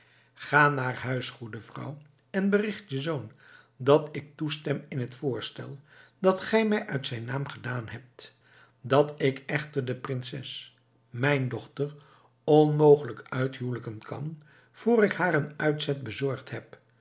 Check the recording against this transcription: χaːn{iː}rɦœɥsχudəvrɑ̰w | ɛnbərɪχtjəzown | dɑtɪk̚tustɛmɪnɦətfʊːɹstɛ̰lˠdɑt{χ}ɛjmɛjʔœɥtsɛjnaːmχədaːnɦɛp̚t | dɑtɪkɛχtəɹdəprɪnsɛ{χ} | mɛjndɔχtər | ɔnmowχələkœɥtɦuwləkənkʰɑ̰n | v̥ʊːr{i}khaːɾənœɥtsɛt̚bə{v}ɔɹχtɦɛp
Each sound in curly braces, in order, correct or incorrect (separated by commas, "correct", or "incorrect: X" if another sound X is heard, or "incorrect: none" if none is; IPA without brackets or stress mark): incorrect: aː, correct, incorrect: s, incorrect: ɪ, incorrect: z